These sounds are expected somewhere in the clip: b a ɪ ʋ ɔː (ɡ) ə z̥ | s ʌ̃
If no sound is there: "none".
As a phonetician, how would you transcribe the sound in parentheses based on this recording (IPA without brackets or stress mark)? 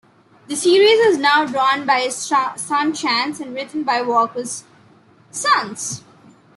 k